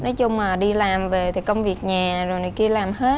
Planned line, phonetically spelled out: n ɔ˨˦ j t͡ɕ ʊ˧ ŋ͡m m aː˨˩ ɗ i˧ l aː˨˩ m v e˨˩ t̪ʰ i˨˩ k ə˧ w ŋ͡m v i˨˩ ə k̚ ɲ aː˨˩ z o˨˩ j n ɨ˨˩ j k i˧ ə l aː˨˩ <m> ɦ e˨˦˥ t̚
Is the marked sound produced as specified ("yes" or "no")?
yes